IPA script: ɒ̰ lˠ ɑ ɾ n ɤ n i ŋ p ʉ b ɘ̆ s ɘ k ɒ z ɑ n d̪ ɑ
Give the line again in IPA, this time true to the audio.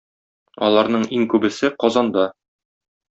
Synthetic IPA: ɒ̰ lˠ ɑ ɾ n ɤ ɴ i ŋ k ʉ b ɘ̆ s ɘ q ɒ z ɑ n d̪ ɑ